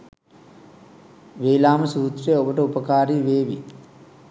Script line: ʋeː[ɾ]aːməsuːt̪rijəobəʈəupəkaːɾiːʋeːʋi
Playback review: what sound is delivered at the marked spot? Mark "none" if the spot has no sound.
l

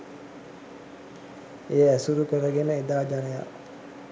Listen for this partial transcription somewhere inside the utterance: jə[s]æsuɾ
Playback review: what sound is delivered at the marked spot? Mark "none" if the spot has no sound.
none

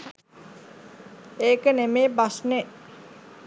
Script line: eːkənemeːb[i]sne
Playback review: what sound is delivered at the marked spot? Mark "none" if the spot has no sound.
a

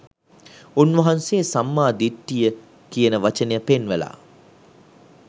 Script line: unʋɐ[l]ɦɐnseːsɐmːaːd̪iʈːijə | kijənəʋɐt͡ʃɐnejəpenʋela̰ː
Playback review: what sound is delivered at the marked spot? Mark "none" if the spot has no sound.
none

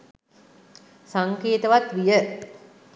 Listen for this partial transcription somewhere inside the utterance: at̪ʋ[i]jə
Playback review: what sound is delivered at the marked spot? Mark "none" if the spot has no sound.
i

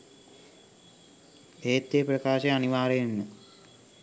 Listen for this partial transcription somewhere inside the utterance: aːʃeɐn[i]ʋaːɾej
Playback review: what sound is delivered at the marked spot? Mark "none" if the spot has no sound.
i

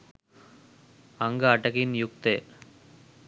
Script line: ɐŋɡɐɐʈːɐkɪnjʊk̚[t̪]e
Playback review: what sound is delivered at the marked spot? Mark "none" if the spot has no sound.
t̪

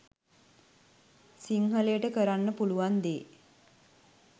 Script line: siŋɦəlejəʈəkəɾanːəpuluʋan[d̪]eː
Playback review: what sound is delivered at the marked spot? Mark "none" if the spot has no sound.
d̪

